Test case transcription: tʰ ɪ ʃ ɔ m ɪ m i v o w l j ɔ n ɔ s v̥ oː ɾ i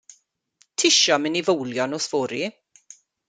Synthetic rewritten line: tʰ ɪ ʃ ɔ m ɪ n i v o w l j ɔ n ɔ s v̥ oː ɾ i